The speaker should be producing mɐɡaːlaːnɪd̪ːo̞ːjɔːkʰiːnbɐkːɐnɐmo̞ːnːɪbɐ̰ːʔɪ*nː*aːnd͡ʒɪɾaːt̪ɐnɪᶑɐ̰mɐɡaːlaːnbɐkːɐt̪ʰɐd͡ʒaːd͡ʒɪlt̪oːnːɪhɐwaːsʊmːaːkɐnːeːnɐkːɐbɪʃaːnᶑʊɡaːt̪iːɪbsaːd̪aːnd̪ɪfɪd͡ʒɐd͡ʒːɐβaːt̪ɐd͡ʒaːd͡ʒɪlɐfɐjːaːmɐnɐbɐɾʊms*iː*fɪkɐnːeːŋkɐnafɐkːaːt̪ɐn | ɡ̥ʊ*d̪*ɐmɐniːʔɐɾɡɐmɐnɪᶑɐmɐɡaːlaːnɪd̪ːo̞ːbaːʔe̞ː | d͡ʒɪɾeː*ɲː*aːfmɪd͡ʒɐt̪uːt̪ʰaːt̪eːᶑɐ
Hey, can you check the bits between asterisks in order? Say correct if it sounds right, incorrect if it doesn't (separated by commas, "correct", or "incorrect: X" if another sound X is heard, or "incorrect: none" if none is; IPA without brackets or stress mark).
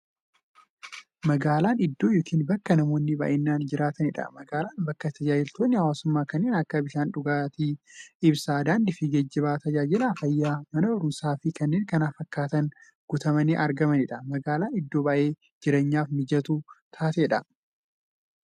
correct, incorrect: aː, incorrect: t̪, correct